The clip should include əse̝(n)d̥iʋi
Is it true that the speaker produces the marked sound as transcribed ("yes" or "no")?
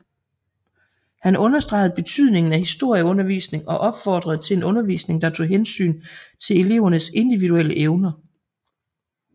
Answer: yes